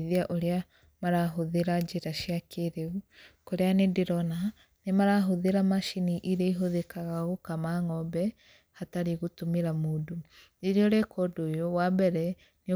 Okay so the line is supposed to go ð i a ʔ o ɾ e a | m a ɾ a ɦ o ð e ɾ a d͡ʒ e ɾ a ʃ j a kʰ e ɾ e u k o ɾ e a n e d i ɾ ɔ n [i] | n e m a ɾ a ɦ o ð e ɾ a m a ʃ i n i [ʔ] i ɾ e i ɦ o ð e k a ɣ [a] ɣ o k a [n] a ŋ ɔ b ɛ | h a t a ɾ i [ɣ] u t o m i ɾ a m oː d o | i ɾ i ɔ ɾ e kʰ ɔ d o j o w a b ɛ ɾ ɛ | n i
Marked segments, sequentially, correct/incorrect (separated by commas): incorrect, correct, correct, incorrect, correct